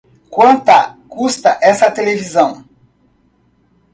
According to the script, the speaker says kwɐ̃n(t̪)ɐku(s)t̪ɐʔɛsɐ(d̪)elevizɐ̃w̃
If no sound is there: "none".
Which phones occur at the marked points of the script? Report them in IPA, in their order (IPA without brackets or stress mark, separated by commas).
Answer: t̪, s, t̪